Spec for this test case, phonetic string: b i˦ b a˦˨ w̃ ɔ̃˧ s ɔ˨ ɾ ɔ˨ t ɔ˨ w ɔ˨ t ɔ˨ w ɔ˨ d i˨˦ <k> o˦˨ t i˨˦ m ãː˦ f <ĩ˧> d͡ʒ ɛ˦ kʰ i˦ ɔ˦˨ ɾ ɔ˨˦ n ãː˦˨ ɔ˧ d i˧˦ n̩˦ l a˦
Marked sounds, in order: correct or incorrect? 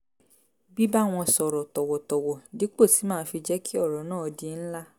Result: incorrect: k͡p, incorrect: i˧

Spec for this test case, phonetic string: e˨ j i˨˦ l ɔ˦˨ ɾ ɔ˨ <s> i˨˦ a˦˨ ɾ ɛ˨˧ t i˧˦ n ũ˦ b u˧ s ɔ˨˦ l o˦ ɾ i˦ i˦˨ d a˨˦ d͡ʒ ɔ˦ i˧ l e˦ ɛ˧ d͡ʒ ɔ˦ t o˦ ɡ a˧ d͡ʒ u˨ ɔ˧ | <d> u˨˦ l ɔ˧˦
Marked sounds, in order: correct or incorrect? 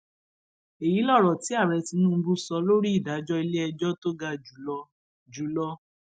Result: incorrect: t, incorrect: d͡ʒ

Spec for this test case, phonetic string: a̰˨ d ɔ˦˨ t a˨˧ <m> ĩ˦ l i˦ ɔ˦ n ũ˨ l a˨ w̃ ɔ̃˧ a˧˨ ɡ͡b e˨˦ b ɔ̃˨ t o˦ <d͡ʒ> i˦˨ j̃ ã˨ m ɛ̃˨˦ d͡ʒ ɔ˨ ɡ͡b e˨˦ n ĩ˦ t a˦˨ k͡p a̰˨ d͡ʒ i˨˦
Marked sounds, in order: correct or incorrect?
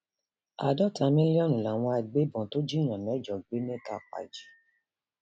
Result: correct, correct

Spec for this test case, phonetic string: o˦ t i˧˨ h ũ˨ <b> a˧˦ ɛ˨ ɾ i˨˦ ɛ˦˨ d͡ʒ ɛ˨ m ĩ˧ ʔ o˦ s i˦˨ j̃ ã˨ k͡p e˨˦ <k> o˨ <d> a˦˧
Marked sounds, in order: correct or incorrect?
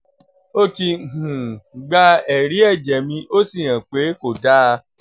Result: incorrect: ɡ͡b, correct, correct

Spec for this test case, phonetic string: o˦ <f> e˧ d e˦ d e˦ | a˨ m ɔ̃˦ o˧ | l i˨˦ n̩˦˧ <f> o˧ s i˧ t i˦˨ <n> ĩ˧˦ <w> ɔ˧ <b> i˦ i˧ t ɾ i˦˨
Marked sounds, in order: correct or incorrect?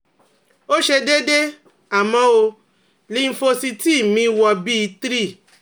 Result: incorrect: ʃ, correct, incorrect: m, correct, correct

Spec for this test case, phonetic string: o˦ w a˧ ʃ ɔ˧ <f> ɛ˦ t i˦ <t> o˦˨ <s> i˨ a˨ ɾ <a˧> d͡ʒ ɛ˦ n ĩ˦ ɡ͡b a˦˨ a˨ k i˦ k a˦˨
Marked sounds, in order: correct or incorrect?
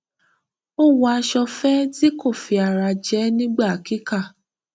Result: correct, incorrect: k, incorrect: f, correct

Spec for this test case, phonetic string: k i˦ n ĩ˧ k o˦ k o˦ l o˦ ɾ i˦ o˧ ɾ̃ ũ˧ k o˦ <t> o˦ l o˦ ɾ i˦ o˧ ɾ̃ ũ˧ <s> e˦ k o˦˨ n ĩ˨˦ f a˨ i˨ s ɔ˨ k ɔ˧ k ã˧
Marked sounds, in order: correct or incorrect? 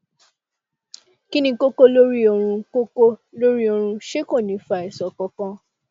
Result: incorrect: k, incorrect: ʃ

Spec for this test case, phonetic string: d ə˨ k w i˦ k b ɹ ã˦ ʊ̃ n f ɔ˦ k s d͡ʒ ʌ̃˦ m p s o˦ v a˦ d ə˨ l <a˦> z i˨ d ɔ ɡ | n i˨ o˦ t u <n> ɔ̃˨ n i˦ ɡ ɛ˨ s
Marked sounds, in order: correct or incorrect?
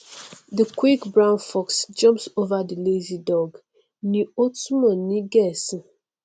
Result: incorrect: e˦, incorrect: m

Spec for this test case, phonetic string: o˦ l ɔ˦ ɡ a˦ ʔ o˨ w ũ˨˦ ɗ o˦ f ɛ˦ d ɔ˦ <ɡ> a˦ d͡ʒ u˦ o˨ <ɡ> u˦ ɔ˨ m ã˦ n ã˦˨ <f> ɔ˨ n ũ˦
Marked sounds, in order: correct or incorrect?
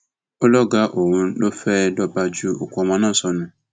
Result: incorrect: b, incorrect: k, incorrect: s

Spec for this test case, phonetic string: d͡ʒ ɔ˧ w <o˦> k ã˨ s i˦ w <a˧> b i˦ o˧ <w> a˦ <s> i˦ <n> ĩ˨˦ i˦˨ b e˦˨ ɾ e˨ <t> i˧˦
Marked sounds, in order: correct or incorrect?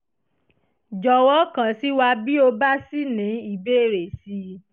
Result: incorrect: ɔ˦, correct, incorrect: b, correct, correct, incorrect: s

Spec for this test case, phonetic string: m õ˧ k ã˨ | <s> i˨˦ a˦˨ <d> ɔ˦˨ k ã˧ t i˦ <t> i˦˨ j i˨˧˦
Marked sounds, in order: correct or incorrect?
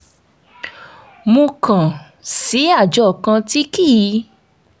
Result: correct, incorrect: d͡ʒ, incorrect: k

